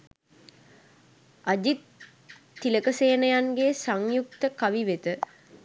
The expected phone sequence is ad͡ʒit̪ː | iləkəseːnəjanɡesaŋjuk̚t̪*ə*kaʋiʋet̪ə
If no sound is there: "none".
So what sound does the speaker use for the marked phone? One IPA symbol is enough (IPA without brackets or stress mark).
ə